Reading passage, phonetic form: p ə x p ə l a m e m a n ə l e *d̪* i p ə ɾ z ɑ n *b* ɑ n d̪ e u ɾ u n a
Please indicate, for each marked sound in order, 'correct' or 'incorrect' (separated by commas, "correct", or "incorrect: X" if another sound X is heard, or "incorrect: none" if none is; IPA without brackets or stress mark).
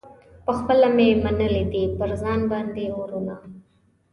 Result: correct, correct